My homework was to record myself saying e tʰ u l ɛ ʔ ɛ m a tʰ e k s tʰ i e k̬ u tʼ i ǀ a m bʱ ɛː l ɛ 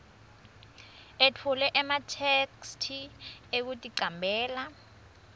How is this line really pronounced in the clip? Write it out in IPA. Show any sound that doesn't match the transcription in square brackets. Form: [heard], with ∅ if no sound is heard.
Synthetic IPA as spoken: e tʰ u l ɛ ʔ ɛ m a tʰ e k s tʰ i e k̬ u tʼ i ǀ a m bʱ ɛː l [a]